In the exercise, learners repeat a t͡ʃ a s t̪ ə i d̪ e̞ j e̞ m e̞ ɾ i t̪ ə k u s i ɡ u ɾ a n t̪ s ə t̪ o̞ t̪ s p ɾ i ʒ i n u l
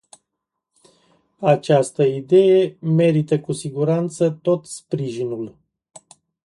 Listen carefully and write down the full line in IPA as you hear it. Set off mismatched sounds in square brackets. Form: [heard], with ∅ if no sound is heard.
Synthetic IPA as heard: a t͡ʃ a s t̪ ə i d̪ e̞ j e̞ m e̞ ɾ i t̪ ə k u s i ɡ u ɾ a n t̪ s ə t̪ o̞ t̪ s p ɾ i ʒ i n u l